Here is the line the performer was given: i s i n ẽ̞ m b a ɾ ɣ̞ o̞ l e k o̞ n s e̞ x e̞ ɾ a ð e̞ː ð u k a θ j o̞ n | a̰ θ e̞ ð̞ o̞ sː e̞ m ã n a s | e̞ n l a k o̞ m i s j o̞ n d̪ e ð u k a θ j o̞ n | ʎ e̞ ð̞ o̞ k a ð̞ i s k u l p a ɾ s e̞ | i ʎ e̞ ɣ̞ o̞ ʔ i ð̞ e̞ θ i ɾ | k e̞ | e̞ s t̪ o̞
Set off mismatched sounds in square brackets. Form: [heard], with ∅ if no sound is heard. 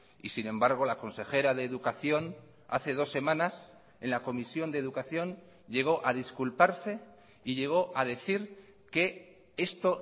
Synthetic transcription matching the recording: i s i n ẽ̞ m b a ɾ ɣ̞ o̞ l [a] k o̞ n s e̞ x e̞ ɾ a ð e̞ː ð u k a θ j o̞ n | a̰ θ e̞ ð̞ o̞ sː e̞ m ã n a s | e̞ n l a k o̞ m i s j o̞ n d̪ e ð u k a θ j o̞ n | ʎ e̞ [ɣ̞] o̞ [ʔ] a ð̞ i s k u l p a ɾ s e̞ | i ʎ e̞ ɣ̞ o̞ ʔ [a] ð̞ e̞ θ i ɾ | k e̞ | e̞ s t̪ o̞